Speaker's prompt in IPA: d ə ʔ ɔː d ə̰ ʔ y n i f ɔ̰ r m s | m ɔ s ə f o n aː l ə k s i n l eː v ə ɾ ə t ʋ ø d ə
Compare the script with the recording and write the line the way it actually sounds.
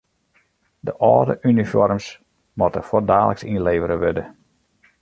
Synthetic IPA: d ə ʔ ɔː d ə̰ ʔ y n i f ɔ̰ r m s | m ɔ t ə f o d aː l ə k s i n l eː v ə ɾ ə ʋ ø d ə